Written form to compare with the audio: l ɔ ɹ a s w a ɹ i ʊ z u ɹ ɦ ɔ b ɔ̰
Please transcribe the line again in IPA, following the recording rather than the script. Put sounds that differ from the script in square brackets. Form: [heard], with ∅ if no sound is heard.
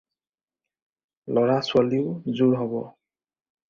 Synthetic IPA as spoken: l ɔ ɹ a s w a [l] i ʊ z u ɹ ɦ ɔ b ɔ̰

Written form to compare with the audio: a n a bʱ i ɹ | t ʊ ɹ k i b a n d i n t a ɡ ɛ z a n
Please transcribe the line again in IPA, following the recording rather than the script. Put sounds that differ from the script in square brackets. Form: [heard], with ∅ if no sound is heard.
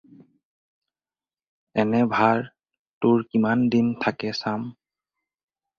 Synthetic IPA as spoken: [ɛ] n [ɛ] bʱ [a] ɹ | t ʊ ɹ k i [m] a n d i n [tʰ] a [k] ɛ [s] a [m]

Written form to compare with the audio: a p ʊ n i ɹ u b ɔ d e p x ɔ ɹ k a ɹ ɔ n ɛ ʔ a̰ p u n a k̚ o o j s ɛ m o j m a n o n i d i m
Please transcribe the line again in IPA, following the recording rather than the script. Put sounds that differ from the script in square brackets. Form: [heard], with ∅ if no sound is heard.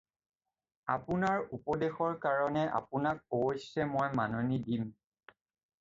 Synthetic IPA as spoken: a p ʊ n [a] ɹ u [p] ɔ d e [∅] x ɔ ɹ k a ɹ ɔ n ɛ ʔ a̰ p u n a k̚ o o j s ɛ m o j m a n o n i d i m

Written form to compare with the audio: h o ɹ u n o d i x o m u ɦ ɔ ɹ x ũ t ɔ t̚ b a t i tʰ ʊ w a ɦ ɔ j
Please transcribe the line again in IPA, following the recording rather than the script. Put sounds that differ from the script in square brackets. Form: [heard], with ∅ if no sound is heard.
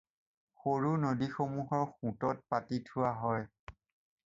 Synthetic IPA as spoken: [x] o ɹ u n o d i x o m u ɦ ɔ ɹ x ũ t ɔ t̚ [p] a t i tʰ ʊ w a ɦ ɔ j

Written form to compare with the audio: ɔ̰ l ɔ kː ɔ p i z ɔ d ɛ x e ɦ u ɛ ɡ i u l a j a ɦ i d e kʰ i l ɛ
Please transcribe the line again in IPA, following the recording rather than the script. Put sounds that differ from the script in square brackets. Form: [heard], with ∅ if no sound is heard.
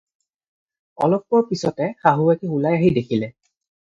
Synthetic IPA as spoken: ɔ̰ l ɔ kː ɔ p i [s] ɔ [t] ɛ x [a] ɦ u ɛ [k] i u l a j a ɦ i d e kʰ i l ɛ

